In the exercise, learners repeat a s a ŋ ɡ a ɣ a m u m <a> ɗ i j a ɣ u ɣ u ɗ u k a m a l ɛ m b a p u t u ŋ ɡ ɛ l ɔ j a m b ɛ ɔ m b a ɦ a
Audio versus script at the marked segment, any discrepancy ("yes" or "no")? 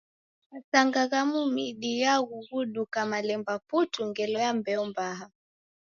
yes